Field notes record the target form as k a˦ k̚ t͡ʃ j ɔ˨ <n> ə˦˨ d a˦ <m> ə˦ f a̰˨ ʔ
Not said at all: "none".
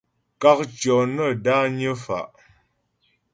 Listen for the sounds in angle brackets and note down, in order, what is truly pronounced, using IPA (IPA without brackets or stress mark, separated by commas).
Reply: n, ɲ